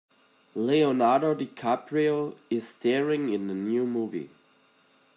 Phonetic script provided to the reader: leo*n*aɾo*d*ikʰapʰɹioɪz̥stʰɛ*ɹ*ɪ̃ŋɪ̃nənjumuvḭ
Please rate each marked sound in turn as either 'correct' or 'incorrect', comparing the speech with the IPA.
correct, correct, correct

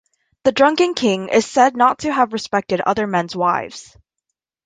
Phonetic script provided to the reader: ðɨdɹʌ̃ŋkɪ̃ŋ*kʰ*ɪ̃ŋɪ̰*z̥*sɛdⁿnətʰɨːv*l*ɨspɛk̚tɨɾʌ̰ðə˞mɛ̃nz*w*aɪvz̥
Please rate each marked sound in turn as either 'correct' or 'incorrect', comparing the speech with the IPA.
correct, correct, incorrect, correct

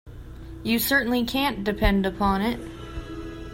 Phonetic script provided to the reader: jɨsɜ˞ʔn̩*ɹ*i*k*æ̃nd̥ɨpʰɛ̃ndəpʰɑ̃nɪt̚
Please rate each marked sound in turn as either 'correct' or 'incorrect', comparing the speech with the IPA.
incorrect, incorrect

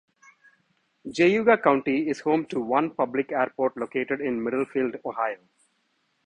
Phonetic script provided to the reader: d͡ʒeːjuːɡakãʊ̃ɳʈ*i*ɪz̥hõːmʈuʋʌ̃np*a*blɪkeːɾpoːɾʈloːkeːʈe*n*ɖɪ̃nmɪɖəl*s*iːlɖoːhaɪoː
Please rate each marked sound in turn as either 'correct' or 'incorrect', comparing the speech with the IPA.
correct, incorrect, incorrect, incorrect

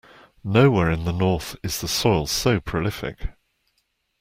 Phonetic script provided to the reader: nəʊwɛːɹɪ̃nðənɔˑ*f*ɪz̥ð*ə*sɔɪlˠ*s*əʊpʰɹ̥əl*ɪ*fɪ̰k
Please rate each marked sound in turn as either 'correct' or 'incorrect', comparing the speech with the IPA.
incorrect, correct, correct, correct

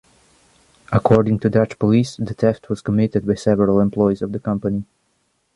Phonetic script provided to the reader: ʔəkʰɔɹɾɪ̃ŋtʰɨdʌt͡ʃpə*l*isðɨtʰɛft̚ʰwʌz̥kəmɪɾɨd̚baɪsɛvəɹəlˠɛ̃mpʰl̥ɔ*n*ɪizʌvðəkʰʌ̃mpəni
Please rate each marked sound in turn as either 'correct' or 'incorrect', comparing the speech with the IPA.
correct, incorrect

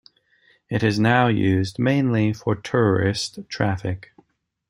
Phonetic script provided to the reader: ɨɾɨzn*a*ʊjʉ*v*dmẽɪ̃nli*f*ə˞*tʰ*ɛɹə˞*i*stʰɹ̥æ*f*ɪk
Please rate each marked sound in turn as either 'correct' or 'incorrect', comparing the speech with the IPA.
correct, incorrect, correct, correct, incorrect, correct

